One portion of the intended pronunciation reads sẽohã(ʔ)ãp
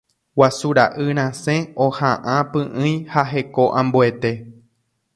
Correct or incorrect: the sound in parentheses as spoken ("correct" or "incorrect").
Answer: correct